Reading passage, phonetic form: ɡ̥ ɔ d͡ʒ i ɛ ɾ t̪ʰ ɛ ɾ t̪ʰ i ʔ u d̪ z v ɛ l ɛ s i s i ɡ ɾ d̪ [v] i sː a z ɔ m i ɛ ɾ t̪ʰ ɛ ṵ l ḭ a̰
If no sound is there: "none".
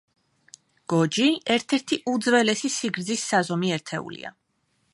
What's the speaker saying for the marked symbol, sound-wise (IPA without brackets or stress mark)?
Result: z